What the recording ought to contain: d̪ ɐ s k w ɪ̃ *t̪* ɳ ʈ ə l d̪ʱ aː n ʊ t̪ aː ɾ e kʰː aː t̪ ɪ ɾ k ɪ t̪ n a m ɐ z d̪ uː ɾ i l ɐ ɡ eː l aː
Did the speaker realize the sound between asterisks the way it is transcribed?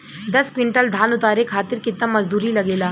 no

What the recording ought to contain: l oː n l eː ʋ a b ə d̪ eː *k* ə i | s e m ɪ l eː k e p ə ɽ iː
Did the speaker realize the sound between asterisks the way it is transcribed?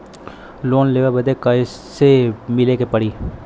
yes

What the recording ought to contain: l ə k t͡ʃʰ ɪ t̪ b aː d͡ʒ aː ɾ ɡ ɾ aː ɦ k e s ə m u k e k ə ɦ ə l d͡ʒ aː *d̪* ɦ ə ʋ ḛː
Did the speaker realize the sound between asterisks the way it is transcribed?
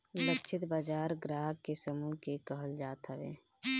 no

